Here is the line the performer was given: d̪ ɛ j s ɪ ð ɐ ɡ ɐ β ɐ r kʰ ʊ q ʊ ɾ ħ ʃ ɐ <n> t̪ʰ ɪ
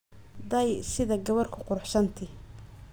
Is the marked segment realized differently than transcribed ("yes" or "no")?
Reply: no